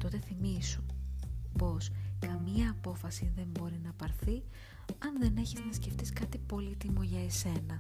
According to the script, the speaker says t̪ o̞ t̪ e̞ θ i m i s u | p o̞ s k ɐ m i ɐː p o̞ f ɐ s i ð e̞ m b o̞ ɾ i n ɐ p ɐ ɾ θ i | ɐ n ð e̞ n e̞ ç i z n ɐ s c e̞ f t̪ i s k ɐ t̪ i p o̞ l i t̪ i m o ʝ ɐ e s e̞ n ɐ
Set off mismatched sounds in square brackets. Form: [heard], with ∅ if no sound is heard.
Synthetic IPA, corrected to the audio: t̪ o̞ t̪ e̞ θ i m i s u | p o̞ s k ɐ m i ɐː p o̞ f ɐ s i ð e̞ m b o̞ ɾ i n ɐ p ɐ ɾ θ i | ɐ n ð e̞ n e̞ ç i z n ɐ s c e̞ f t̪ i s k ɐ t̪ i p o̞ l i t̪ i m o ʝ ɐ e s e̞ n ɐ